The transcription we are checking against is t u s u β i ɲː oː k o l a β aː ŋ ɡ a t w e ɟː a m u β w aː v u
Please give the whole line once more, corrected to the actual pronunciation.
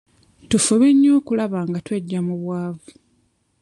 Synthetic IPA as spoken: t u f u β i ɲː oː k u l a β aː ŋ ɡ a t w e ɟː a m u β w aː v u